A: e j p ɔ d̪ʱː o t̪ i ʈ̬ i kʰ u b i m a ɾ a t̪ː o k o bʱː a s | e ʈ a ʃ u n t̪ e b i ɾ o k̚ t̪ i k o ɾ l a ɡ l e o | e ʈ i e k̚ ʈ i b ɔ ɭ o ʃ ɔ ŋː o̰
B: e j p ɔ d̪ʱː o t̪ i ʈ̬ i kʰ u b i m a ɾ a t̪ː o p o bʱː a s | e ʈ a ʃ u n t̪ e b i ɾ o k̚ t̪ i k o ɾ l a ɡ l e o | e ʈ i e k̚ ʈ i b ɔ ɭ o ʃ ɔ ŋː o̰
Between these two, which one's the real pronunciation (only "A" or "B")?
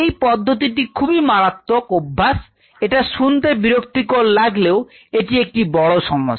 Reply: A